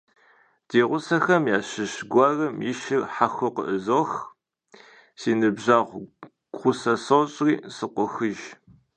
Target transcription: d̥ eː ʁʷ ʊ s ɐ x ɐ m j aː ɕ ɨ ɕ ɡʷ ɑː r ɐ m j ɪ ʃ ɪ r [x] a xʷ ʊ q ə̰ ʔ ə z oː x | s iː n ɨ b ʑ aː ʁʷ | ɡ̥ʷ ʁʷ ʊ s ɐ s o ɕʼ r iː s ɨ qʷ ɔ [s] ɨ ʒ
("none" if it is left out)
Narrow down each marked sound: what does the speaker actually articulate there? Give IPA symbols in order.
ħ, x

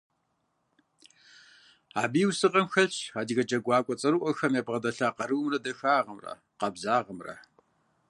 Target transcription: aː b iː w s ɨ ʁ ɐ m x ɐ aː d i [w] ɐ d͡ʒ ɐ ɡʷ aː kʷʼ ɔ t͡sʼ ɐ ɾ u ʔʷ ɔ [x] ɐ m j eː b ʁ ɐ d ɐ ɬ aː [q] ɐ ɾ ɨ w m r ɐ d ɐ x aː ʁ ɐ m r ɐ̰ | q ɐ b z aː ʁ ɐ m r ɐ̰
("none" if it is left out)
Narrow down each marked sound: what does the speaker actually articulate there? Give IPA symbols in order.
ɣ, x, q

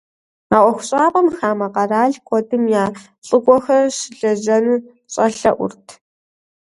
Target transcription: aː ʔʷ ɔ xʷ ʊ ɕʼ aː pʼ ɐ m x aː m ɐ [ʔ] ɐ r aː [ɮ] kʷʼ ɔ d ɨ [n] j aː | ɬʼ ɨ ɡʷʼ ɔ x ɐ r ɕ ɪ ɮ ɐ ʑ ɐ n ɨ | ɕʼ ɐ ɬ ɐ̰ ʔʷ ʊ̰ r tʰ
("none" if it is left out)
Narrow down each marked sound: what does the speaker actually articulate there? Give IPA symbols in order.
q, ɮ, m

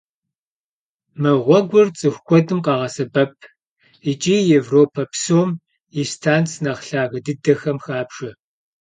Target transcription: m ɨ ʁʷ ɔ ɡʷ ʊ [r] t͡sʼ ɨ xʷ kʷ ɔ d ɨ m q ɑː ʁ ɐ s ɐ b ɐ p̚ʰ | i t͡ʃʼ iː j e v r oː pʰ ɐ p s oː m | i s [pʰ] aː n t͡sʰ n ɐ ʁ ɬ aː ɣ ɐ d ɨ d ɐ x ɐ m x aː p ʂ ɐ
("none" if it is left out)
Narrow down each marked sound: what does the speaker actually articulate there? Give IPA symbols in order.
r, tʰ

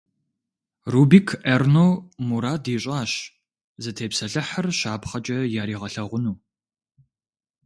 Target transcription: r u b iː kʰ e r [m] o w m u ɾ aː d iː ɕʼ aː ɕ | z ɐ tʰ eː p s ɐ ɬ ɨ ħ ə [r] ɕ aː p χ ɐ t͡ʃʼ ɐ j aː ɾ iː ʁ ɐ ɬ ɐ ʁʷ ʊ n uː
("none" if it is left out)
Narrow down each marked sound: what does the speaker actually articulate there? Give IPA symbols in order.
n, r

